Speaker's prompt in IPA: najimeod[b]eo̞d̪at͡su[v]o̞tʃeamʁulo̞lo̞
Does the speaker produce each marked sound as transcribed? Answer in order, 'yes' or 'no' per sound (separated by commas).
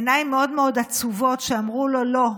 no, yes